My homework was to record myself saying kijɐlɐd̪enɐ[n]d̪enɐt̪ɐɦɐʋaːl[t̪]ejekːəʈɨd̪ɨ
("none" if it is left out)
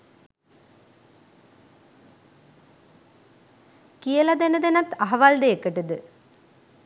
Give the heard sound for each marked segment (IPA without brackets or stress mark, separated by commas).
none, d̪